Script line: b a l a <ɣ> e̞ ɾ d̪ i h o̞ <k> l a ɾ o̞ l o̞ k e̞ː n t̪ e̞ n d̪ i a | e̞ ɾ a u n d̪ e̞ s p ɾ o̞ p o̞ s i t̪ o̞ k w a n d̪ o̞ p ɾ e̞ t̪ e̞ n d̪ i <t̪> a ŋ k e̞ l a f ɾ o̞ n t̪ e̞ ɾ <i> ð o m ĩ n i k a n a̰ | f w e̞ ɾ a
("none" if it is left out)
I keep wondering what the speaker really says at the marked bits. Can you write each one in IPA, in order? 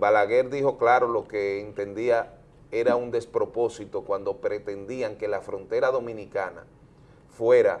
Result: ɣ, k, none, a

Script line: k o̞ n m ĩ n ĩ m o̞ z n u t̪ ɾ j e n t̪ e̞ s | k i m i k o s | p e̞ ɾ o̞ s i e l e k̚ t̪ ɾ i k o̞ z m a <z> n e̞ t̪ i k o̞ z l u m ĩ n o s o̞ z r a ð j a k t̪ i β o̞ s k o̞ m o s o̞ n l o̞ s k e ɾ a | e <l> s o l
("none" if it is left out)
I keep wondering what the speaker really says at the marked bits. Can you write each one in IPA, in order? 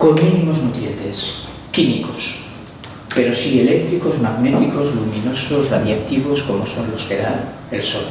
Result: ɣ, l

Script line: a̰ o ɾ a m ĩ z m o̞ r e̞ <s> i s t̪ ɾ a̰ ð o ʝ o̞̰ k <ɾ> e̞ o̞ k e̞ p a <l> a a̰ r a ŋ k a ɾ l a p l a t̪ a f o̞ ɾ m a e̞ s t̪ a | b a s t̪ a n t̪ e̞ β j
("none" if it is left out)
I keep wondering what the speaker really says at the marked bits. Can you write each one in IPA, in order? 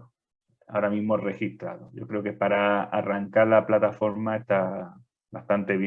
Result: x, ɾ, ɾ

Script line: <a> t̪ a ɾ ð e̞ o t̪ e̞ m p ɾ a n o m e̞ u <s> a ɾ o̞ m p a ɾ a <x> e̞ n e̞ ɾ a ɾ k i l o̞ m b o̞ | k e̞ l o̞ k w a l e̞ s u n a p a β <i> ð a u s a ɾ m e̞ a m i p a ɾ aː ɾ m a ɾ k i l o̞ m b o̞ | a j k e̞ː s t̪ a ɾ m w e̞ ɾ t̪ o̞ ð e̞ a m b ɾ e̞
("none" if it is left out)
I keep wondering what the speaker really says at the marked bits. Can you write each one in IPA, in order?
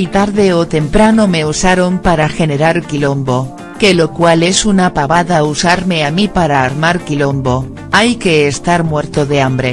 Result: i, s, x, a

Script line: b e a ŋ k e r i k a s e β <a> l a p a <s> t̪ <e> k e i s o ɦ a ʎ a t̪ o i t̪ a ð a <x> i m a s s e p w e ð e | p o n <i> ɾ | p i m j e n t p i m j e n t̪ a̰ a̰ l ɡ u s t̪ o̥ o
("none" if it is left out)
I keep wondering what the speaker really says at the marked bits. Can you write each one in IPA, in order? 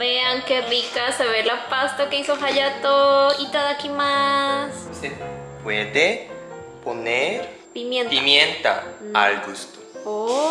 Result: e, s, a, k, e

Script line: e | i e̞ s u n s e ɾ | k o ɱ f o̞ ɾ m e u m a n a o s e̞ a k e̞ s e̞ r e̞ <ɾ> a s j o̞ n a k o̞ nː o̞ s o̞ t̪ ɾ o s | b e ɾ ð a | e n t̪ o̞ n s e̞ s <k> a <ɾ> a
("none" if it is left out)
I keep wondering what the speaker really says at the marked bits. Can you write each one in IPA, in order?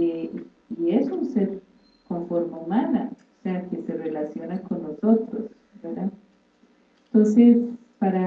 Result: l, p, ɾ

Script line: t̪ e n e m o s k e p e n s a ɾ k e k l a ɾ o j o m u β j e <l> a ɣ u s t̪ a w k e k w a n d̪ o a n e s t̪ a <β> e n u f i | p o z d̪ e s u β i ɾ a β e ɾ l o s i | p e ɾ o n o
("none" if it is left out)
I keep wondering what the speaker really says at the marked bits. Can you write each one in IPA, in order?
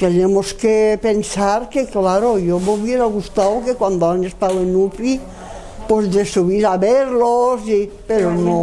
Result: ɾ, w

